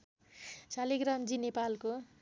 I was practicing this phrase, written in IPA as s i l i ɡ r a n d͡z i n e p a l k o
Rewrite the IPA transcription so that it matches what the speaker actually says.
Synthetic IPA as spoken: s a l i ɡ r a m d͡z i n e p a l k o